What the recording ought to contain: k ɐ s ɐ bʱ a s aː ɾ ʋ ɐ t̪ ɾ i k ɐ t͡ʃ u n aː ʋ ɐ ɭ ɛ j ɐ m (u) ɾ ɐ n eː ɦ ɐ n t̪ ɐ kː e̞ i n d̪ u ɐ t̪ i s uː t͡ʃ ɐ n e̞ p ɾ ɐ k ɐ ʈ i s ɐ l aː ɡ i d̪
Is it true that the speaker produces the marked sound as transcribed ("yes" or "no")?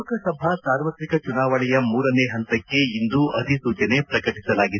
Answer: no